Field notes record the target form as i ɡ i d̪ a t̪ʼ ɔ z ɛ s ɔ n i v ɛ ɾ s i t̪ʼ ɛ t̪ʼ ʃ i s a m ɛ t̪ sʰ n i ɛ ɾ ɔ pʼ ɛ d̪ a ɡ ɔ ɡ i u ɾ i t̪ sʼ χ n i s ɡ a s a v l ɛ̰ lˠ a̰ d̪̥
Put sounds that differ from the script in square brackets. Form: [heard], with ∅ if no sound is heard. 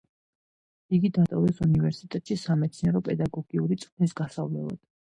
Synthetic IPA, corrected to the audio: i ɡ i d̪ a t̪ʼ ɔ [v] ɛ s [u] n i v ɛ ɾ s i t̪ʼ ɛ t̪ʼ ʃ i s a m ɛ t̪ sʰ n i ɛ ɾ ɔ pʼ ɛ d̪ a ɡ ɔ ɡ i u ɾ i t̪ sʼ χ n i s ɡ a s a v l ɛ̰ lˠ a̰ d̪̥